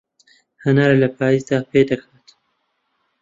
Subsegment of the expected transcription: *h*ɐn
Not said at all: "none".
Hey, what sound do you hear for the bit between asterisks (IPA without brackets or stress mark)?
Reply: h